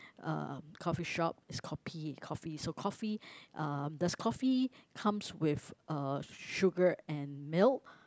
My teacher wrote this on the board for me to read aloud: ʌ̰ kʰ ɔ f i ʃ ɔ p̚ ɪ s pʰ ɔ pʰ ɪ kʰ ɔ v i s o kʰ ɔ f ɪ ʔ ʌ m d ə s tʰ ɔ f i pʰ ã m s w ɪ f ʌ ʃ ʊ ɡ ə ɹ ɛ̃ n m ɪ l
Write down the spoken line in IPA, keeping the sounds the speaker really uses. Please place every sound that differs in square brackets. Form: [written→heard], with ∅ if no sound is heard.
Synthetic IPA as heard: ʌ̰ kʰ ɔ f i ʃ ɔ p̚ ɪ s [pʰ→kʰ] ɔ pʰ [ɪ→i] kʰ ɔ [v→f] i s o kʰ ɔ f [ɪ→i] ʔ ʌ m d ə s [tʰ→kʰ] ɔ f i [pʰ→kʰ] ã m s w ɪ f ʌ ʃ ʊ ɡ ə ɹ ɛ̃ n m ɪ l